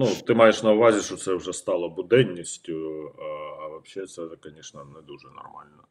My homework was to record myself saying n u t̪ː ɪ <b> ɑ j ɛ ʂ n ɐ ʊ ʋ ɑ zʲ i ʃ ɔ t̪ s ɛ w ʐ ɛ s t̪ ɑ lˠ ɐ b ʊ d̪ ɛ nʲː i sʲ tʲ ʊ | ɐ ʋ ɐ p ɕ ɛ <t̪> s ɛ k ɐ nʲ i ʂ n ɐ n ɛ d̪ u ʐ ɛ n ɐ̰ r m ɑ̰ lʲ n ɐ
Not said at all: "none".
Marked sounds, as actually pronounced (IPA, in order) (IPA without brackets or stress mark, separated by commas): m, t̪